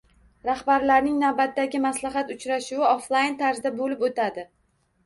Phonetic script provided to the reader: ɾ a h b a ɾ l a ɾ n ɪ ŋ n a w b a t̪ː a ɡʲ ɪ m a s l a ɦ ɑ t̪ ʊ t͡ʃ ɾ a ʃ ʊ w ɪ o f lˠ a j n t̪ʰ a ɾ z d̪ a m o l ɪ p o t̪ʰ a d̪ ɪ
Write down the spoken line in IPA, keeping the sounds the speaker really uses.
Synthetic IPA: ɾ a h b a ɾ l a ɾ n ɪ ŋ n a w b a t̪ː a ɡʲ ɪ m a s l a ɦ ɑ t̪ ʊ t͡ʃ ɾ a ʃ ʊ w ɪ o f lˠ a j n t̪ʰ a ɾ z d̪ a b o l ɪ p o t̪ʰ a d̪ ɪ